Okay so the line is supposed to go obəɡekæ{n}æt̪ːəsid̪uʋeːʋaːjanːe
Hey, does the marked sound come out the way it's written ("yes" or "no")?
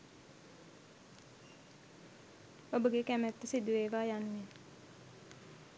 no